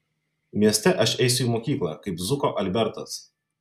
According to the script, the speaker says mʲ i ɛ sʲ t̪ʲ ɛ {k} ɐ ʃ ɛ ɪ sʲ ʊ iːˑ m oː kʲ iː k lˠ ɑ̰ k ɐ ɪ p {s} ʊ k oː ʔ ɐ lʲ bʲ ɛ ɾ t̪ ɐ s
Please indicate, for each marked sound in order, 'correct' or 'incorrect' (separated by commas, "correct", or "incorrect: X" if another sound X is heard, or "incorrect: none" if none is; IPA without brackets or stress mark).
incorrect: ʔ, incorrect: z